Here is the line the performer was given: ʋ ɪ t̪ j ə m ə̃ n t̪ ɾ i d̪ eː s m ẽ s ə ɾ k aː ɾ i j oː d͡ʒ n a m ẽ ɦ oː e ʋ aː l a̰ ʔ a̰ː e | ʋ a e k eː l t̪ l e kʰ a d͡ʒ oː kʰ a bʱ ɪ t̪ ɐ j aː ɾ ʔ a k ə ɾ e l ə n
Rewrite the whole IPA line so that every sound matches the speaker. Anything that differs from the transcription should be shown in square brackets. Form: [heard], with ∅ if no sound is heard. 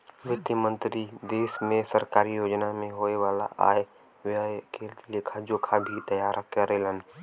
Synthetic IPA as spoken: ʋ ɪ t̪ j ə m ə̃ n t̪ ɾ i d̪ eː s m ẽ s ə ɾ k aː ɾ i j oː d͡ʒ n a m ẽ ɦ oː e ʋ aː l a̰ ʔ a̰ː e | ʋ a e k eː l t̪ l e kʰ a d͡ʒ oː kʰ a bʱ [i] t̪ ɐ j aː ɾ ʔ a k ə ɾ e l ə n